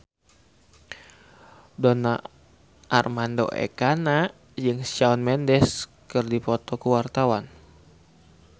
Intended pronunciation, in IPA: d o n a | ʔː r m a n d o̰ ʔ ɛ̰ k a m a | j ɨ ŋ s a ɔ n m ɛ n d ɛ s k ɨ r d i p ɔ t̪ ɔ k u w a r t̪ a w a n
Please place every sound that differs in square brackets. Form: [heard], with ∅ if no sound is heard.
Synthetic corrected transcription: d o n a | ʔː r m a n d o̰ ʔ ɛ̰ k a [n] a | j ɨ ŋ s a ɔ n m ɛ n d ɛ s k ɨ r d i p ɔ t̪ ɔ k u w a r t̪ a w a n